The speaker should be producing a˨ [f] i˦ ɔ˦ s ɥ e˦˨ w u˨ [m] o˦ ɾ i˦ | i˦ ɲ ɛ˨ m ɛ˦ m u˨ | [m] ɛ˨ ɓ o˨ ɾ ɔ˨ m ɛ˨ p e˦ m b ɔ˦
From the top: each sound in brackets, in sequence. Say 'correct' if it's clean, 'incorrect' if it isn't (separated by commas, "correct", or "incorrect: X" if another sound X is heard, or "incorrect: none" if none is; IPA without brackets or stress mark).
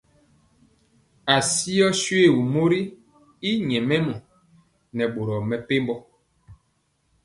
incorrect: s, correct, incorrect: n